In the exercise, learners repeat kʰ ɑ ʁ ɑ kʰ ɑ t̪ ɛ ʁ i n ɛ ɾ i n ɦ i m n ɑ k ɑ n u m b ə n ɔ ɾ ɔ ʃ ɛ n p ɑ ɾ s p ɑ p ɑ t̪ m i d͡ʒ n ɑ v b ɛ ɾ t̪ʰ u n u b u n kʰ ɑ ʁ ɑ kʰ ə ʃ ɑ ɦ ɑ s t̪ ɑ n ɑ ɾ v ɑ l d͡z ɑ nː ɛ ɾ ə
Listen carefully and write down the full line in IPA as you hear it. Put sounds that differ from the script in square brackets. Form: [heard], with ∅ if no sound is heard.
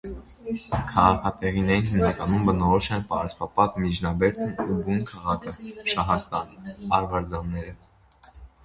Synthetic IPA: kʰ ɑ ʁ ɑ kʰ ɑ t̪ ɛ ʁ i n ɛ ɾ i n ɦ i m n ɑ k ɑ n u m b ə n ɔ ɾ ɔ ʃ ɛ n p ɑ ɾ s p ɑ p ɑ t̪ m i d͡ʒ n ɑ [∅] b ɛ ɾ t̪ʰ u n u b u n kʰ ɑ ʁ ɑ kʰ ə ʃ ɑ ɦ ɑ s t̪ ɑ n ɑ ɾ v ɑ [ɾ] d͡z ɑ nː ɛ ɾ ə